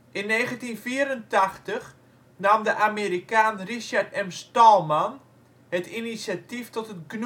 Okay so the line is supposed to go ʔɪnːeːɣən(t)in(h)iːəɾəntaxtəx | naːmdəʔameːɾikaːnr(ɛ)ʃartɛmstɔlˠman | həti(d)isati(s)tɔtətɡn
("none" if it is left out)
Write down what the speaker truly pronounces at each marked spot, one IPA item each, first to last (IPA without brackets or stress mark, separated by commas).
t, f, i, n, f